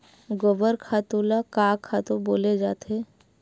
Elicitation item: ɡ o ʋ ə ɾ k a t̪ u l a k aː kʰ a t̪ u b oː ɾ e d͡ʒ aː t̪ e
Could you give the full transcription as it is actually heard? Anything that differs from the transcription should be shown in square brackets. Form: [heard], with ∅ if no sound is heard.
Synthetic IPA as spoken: ɡ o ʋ ə ɾ [kʰ] a t̪ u l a k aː kʰ a t̪ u b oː [l] e d͡ʒ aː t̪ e